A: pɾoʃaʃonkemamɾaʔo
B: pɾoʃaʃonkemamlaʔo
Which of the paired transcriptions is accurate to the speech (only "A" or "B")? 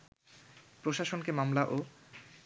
B